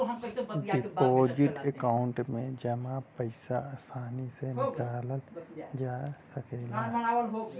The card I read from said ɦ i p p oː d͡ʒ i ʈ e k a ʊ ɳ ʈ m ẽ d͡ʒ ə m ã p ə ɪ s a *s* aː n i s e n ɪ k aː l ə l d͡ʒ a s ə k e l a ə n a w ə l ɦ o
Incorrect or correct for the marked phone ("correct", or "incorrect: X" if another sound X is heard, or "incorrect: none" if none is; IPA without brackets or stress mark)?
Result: correct